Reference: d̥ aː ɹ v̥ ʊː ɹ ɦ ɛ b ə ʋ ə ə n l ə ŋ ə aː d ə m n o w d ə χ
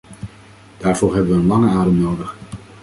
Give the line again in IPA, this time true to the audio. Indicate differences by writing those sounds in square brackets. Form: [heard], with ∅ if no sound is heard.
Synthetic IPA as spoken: d̥ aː ɹ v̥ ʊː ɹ ɦ ɛ b ə ʋ ə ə n l [ɑ] ŋ ə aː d ə m n o w d ə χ